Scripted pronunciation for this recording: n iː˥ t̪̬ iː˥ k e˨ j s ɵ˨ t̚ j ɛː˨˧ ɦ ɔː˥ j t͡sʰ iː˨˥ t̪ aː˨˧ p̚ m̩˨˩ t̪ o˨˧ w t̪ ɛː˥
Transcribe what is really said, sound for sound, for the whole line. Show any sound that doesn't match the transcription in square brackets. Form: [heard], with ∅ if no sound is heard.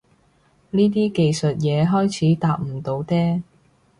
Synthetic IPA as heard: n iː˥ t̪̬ iː˥ k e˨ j s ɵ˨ t̚ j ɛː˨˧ ɦ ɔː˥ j t͡sʰ iː˨˥ t̪ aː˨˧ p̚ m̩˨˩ t̪ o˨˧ w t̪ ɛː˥